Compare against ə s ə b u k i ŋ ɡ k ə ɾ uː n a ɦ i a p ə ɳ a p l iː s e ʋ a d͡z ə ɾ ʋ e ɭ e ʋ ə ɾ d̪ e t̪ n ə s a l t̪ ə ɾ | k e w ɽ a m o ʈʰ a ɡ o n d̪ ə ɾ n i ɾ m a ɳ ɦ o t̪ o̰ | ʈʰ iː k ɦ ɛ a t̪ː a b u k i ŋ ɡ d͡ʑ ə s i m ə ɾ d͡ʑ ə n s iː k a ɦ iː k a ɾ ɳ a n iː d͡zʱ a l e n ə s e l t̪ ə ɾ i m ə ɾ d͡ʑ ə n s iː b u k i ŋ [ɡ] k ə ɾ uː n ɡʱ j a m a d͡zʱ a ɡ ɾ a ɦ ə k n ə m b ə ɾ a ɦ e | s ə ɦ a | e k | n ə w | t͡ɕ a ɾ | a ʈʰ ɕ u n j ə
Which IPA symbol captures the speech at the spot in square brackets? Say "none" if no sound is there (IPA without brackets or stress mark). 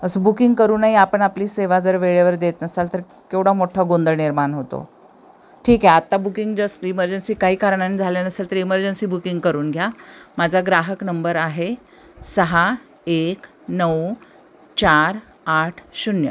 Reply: ɡ